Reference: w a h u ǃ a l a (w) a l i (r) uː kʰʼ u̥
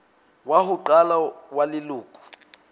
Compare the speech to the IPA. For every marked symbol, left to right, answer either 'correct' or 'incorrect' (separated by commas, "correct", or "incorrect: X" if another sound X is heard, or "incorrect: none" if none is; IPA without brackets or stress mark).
correct, incorrect: l